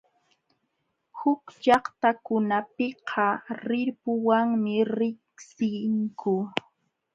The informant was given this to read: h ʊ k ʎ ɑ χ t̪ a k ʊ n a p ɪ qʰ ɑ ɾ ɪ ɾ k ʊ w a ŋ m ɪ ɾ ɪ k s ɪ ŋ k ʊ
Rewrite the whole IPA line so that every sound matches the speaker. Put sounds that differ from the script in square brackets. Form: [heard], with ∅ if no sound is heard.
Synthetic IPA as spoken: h ʊ k ʎ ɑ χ t̪ a k ʊ n a p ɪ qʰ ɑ ɾ ɪ ɾ [p] ʊ w a ŋ m ɪ ɾ ɪ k s ɪ ŋ k ʊ